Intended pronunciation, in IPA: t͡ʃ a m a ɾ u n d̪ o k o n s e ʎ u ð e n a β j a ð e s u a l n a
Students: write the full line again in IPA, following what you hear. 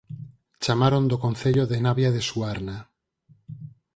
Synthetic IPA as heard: t͡ʃ a m a ɾ o n d̪ o k o n θ e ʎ o ð e n a β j a ð e s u a ɾ n a

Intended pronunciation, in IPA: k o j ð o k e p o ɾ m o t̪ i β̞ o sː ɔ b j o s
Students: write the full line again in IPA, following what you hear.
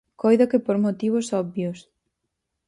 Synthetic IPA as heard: k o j ð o k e p o ɾ m o t̪ i β̞ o s ɔ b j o s

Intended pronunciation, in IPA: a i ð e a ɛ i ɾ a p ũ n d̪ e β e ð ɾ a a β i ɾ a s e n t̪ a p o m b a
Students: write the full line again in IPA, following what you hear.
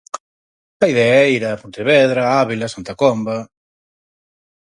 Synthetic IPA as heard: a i ð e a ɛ i ɾ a p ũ n t̪ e β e ð ɾ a a β i l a s a n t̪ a k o m b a

